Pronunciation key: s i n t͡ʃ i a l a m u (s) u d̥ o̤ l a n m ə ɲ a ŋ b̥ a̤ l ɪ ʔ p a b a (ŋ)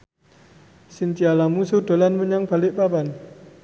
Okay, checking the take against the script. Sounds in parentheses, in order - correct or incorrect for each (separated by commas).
correct, incorrect